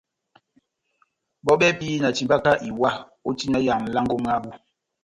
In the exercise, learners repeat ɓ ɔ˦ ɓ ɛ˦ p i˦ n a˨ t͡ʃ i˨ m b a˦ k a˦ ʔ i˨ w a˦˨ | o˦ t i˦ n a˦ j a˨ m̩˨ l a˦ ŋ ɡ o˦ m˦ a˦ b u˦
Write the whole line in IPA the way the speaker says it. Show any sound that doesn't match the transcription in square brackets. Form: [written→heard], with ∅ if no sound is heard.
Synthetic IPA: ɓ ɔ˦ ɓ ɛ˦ p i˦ n a˨ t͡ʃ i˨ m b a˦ k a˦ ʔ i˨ w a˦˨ | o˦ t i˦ n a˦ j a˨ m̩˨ l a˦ ŋ ɡ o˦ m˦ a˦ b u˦